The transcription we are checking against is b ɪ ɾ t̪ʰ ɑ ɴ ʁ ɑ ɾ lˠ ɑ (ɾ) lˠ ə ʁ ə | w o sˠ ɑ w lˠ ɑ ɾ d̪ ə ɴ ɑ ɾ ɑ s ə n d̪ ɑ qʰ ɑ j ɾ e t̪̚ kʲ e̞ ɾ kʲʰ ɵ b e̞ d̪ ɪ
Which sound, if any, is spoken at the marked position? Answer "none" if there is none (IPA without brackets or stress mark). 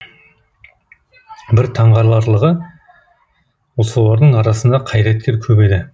ɾ